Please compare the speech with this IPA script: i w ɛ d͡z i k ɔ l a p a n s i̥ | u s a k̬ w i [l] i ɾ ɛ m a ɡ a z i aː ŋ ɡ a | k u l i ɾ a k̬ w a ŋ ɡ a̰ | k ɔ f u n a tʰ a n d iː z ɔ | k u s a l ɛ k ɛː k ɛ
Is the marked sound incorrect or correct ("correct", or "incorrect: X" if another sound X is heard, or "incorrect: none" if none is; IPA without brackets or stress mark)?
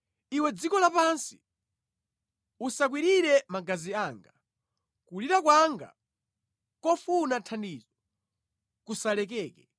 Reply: incorrect: ɾ